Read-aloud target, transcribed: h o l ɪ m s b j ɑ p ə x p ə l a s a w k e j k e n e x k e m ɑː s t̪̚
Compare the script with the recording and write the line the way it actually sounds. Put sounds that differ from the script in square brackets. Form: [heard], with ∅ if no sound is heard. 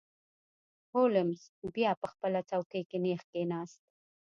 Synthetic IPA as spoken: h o l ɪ m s b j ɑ p ə x p ə l a [t͡s] a w k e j k e n e x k e [n] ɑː s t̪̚